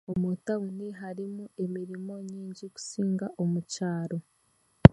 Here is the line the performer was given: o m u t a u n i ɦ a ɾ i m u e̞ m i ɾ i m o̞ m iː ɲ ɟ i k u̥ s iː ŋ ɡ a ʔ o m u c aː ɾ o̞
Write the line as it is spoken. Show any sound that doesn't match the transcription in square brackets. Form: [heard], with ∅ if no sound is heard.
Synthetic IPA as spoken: o m u t a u n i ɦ a ɾ i m u e̞ m i ɾ i m o̞ [ɲ] iː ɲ ɟ i k u̥ s iː ŋ ɡ a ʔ o m u c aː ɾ o̞